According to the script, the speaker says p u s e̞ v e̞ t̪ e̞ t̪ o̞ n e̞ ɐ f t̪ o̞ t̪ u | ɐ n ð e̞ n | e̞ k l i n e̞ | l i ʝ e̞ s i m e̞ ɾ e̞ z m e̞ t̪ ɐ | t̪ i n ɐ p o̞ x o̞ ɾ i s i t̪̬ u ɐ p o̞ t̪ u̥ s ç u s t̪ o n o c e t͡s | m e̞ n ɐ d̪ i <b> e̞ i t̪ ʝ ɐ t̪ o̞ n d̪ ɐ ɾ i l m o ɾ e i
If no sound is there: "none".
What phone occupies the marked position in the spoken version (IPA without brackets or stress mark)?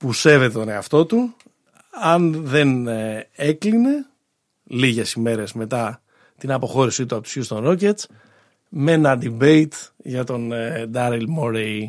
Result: b